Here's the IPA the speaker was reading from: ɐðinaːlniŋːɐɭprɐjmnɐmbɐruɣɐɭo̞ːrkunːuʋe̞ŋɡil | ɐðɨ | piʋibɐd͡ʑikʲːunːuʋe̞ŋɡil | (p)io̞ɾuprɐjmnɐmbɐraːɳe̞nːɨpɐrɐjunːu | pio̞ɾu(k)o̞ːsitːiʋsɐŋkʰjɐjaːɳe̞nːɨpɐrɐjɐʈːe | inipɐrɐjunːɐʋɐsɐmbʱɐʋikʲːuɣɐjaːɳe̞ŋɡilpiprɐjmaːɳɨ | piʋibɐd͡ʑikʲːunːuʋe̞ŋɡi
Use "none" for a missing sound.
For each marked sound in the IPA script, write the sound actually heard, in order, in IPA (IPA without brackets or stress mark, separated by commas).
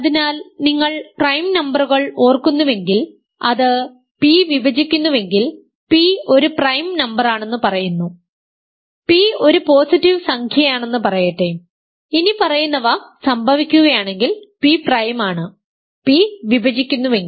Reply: p, p